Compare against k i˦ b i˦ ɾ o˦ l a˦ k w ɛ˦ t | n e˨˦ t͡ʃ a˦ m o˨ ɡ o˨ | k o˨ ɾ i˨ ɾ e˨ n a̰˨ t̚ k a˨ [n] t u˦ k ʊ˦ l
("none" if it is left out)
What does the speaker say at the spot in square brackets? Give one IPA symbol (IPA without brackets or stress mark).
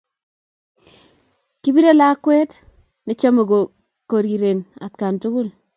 n